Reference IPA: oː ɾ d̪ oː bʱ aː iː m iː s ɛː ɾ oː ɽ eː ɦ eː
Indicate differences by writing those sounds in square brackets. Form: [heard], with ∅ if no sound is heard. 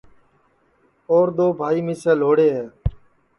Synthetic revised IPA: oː ɾ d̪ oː bʱ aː iː m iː s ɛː [l] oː ɽ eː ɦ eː